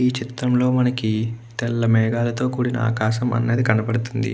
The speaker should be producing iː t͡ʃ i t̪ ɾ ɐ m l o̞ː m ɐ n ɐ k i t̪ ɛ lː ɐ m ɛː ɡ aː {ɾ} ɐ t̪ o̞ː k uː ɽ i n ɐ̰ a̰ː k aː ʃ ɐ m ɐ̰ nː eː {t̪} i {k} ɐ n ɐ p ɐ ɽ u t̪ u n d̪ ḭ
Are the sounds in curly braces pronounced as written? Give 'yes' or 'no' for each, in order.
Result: no, no, yes

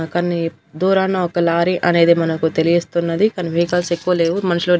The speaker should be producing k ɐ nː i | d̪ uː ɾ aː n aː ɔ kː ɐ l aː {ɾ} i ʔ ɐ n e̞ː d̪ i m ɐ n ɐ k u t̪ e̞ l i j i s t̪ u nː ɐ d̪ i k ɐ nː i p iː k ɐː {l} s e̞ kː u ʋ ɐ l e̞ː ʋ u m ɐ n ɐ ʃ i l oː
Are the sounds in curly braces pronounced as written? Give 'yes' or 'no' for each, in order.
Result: yes, yes

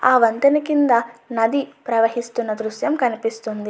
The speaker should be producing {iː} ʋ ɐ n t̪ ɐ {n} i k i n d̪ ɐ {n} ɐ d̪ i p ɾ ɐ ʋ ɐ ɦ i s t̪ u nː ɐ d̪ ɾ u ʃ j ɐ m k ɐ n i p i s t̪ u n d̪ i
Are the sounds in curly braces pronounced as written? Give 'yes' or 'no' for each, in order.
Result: no, yes, yes

